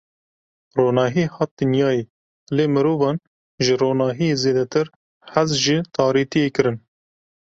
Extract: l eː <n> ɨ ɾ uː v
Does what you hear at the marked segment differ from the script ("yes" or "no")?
yes